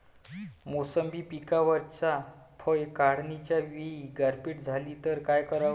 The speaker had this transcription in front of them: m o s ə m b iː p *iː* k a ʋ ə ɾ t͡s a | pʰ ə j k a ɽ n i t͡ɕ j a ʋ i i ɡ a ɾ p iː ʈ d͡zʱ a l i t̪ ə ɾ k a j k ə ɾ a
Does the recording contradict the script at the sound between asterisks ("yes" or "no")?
yes